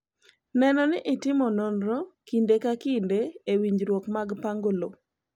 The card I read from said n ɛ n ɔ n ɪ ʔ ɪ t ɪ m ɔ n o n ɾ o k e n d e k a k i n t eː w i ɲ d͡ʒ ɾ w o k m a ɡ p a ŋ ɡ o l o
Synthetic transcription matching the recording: n ɛ n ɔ n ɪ ʔ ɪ t ɪ m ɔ n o n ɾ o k i n d e k a k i n d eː w i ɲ d͡ʒ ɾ w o k m a ɡ p a ŋ ɡ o l o